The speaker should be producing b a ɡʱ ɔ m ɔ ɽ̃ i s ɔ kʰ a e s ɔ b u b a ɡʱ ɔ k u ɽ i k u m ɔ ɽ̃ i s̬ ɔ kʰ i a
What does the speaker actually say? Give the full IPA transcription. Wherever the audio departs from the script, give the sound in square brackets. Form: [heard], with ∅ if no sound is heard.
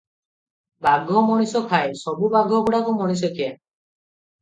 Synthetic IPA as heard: b a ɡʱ ɔ m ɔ ɽ̃ i s ɔ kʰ a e s ɔ b u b a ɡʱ ɔ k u ɽ [a] k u m ɔ ɽ̃ i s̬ ɔ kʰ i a